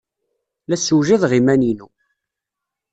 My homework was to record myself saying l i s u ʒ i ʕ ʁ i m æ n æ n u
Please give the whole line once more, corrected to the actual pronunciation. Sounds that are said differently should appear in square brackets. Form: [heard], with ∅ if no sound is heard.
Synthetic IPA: l [æ] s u ʒ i [ð] ʁ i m æ n [i] n u

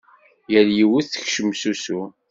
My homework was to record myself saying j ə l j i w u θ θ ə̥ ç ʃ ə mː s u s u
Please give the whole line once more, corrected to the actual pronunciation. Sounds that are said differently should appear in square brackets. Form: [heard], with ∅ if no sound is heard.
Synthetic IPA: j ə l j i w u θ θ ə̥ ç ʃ ə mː s u s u

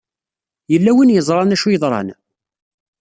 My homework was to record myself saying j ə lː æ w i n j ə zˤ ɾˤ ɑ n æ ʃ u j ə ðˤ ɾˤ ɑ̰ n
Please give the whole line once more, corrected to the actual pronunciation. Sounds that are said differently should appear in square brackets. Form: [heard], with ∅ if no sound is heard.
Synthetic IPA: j ə lː æ w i n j ə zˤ ɾˤ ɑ n æ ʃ u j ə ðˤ ɾˤ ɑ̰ n

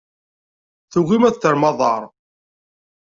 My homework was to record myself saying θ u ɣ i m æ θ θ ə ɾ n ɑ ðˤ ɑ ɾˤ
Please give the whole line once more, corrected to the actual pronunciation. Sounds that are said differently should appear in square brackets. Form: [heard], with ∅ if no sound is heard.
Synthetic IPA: θ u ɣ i m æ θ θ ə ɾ [m] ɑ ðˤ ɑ ɾˤ

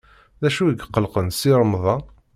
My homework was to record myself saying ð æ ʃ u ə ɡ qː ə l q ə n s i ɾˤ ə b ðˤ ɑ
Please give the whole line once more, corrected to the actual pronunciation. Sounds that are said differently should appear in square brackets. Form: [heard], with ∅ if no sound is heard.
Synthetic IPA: ð æ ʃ u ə ɡ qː ə l q ə n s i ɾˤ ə [m] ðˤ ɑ

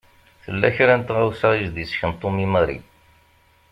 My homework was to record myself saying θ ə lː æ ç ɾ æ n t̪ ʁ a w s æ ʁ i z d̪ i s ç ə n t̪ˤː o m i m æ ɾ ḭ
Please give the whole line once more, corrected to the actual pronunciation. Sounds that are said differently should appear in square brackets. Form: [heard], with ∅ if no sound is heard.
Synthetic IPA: θ ə lː æ ç ɾ æ n t̪ ʁ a w s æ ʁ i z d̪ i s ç ə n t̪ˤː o m i m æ ɾ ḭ

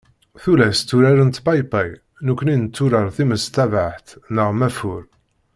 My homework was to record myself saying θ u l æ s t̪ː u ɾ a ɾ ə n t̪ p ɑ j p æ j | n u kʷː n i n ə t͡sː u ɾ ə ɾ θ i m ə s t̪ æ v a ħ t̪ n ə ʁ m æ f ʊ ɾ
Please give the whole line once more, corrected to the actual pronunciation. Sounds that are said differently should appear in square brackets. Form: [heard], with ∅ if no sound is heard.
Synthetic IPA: θ u l æ s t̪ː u ɾ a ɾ ə n t̪ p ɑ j p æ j | n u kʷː n i n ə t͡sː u ɾ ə ɾ θ i m ə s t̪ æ v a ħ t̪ n ə ʁ m æ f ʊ ɾ

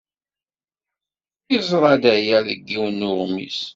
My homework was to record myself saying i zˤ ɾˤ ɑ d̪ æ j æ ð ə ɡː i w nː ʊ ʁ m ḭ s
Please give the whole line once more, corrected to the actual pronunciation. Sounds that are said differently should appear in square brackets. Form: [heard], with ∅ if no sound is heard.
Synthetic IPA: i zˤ ɾˤ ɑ d̪ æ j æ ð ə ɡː i w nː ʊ ʁ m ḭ s

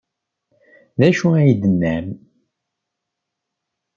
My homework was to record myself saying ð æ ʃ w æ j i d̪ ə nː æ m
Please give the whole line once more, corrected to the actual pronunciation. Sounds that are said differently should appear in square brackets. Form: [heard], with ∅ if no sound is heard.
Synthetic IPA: ð æ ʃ [u] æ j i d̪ ə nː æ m

